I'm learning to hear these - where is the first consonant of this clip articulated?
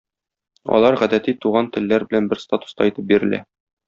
tongue tip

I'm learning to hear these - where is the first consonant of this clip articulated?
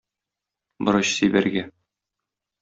lips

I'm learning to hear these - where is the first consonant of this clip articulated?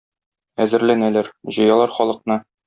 tongue tip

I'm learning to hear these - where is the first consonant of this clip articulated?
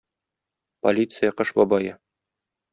lips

